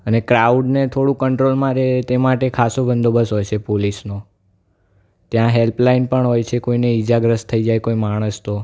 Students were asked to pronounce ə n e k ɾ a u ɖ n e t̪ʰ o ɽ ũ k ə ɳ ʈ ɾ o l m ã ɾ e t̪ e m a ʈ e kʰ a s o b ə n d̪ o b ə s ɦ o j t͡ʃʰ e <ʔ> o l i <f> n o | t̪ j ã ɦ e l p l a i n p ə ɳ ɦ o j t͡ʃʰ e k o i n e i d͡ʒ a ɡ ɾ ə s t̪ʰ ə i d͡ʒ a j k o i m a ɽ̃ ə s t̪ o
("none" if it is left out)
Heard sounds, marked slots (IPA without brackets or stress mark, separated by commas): p, s